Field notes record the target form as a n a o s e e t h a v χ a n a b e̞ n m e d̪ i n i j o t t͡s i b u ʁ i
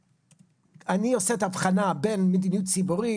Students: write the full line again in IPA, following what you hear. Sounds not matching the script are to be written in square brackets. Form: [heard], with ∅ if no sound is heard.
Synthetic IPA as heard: a n [i] o s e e t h a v χ a n a b e̞ n m e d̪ i n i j [u] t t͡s i b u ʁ i

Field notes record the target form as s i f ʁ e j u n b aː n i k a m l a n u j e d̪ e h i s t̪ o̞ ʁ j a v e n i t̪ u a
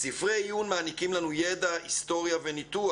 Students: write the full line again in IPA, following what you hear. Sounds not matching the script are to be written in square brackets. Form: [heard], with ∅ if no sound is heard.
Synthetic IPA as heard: s i f ʁ e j u n [m] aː n i k [i] m l a n u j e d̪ [a] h i s t̪ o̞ ʁ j a v e n i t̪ u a

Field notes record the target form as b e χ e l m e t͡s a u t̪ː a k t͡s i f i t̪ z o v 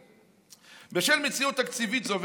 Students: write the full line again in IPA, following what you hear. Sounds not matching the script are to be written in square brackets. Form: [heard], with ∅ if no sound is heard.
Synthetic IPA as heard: b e [ʃ] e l m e t͡s [i] u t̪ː a k t͡s i [v] i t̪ z o v

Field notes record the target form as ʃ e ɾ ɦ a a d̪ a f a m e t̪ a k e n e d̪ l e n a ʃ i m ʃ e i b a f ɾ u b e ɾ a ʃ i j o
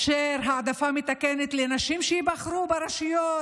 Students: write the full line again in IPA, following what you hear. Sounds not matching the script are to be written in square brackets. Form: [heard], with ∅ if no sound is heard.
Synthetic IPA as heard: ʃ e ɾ ɦ a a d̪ a f a m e t̪ a k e n e [t̪] l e n a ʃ i m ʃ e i b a [χ] ɾ u b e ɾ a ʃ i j o

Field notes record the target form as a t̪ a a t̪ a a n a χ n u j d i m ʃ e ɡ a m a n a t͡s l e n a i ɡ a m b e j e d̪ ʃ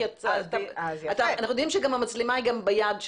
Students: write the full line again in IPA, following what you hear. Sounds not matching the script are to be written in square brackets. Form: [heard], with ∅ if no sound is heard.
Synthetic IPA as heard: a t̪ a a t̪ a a n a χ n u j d i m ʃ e ɡ a m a [m] a t͡s l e [m] a i ɡ a m b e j [a] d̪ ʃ

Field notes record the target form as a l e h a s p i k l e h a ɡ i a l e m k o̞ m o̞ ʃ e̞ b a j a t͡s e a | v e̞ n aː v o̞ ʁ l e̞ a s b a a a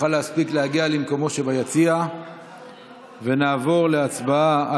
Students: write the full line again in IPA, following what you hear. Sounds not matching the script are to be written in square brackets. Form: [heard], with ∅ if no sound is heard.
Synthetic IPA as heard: a l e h a s p i k l e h a ɡ i a l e m k o̞ m o̞ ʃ e̞ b a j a t͡s [i] a | v e̞ n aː v o̞ ʁ l e̞ a [t͡s] b a a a

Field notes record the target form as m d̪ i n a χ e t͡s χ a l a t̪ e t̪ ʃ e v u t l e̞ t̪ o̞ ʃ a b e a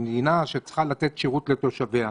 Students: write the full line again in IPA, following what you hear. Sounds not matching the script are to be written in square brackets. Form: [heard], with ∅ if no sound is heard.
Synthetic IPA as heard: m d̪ i n a [ʃ] e t͡s χ a l a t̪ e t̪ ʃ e [ʁ] u t l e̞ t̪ o̞ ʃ a [v] e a

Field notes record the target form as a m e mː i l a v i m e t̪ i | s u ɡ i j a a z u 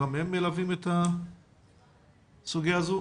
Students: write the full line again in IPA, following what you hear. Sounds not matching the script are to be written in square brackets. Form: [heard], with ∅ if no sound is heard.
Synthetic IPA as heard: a m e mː [e] l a v i m e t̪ [a] | s u ɡ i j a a z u

